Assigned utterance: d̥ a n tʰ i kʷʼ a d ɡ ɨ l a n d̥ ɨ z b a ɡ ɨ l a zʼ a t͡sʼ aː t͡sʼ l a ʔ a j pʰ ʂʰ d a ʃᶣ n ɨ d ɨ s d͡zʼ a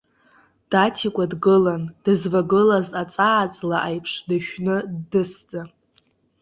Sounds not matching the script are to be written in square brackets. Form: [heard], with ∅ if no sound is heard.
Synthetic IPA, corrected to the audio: d̥ a [∅] tʰ i kʷʼ a d ɡ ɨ l a n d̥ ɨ z [v] a ɡ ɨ l a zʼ a t͡sʼ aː t͡sʼ l a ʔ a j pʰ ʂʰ d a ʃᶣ n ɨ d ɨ s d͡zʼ a